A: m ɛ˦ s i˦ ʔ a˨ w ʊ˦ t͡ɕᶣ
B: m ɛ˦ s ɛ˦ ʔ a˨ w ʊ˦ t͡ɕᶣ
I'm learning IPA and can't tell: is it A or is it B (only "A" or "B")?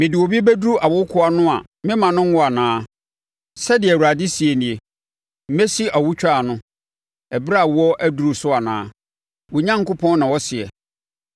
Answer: A